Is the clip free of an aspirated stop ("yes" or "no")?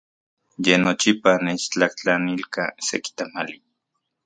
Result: yes